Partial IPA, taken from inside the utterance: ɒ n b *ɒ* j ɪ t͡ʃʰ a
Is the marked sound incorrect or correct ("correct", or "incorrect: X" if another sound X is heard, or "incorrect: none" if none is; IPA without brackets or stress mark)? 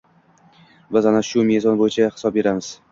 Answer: incorrect: o